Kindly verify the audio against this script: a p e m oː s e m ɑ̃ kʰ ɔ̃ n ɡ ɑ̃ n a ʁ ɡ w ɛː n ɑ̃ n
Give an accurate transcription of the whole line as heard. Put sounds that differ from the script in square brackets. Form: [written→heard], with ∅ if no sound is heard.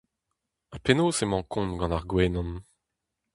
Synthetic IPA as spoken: a p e [m→n] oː s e m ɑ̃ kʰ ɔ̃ n ɡ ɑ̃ n a ʁ ɡ w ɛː n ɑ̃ n